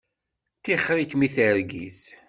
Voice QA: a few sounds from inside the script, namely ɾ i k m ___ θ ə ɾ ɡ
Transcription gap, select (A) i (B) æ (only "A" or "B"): A